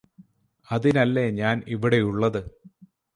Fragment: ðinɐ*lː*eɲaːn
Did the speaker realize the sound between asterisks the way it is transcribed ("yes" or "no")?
yes